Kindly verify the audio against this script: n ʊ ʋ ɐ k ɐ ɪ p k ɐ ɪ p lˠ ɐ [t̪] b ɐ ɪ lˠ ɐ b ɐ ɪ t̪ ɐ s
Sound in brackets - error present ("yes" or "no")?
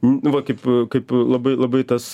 yes